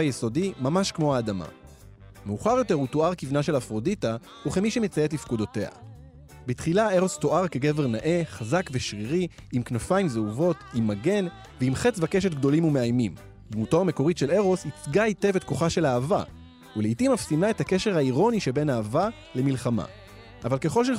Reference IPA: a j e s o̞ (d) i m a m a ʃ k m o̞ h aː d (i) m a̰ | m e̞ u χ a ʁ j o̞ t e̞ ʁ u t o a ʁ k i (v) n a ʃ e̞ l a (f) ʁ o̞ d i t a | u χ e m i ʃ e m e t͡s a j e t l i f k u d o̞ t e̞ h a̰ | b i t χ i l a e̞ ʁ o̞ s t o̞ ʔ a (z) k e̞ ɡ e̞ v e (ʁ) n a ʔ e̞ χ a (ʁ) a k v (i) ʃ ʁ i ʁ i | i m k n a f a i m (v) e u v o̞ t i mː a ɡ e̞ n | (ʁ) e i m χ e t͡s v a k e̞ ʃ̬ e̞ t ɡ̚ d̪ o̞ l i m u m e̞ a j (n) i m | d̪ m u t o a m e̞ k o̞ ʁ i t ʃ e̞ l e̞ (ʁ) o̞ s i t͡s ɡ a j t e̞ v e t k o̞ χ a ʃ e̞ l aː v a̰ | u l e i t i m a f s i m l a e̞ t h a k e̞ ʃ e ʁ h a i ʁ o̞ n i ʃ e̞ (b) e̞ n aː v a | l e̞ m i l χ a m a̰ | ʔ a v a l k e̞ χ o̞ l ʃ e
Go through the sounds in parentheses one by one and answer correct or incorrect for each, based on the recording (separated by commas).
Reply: correct, incorrect, correct, correct, incorrect, correct, incorrect, incorrect, incorrect, incorrect, incorrect, correct, correct